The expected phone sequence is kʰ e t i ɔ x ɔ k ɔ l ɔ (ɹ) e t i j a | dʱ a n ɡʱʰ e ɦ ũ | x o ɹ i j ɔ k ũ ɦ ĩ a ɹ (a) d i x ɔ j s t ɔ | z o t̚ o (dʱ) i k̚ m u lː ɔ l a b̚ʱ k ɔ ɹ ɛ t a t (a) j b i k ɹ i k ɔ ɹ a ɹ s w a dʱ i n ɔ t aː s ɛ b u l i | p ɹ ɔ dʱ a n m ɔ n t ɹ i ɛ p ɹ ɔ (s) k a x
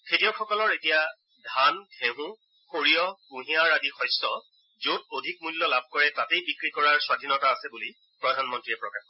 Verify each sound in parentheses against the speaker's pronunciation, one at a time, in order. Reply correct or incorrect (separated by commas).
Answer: correct, correct, correct, incorrect, incorrect